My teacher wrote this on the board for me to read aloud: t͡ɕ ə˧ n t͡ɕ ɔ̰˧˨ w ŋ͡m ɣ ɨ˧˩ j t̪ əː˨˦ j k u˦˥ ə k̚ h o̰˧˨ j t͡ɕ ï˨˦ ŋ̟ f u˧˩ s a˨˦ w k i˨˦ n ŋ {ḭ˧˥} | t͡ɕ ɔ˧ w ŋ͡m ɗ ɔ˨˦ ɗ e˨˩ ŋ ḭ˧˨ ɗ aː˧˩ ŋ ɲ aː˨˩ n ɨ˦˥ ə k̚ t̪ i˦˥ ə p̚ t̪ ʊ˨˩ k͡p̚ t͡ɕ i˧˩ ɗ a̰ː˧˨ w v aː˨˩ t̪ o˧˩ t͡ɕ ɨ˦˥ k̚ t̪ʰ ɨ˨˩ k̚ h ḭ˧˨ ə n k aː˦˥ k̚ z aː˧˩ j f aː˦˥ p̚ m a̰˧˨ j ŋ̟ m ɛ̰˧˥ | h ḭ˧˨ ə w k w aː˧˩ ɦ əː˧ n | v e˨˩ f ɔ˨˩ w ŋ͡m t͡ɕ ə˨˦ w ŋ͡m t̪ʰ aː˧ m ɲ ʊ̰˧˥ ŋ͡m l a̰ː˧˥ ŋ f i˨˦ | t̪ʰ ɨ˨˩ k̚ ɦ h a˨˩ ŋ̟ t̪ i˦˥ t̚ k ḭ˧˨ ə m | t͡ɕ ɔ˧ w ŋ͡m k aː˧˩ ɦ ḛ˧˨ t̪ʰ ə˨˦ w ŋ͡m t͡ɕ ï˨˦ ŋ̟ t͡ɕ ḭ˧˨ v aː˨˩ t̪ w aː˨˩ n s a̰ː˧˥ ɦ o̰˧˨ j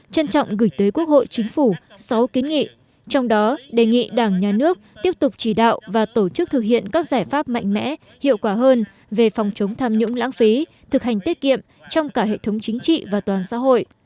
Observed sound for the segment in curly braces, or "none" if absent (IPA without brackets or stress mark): ḭ˧˨